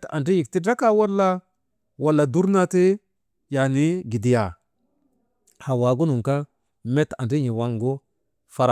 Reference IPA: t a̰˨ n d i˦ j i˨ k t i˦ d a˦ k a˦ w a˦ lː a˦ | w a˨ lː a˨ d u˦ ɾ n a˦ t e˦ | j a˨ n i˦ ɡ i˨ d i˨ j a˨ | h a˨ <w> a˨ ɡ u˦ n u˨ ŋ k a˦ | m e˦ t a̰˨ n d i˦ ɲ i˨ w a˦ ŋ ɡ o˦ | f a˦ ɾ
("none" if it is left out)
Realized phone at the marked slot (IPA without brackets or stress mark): w